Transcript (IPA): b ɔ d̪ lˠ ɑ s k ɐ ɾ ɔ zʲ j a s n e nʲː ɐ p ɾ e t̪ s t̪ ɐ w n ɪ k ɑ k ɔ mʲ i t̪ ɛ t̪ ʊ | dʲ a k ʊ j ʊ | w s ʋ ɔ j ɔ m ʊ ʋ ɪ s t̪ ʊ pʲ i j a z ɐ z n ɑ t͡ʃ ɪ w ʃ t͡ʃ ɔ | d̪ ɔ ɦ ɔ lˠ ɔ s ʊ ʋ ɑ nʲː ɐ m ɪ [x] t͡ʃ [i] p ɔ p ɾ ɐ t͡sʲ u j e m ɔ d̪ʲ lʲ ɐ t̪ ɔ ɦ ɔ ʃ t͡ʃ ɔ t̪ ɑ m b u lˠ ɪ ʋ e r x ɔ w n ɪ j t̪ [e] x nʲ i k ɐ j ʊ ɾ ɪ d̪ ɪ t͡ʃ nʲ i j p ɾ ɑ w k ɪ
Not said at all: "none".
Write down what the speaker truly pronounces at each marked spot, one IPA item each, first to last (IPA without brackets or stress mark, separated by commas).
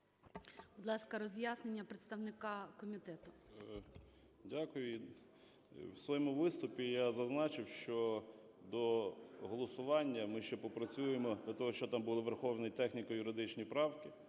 ʃ, ɛ, ɛ